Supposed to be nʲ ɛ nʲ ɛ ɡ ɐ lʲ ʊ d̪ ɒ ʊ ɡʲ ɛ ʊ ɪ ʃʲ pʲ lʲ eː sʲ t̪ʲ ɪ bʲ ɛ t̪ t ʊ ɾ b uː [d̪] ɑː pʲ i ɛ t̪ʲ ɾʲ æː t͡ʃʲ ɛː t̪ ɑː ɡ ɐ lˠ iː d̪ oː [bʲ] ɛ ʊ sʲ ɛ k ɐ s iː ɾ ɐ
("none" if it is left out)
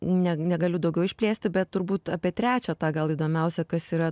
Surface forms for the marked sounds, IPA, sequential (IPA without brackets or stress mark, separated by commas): t̪, mʲ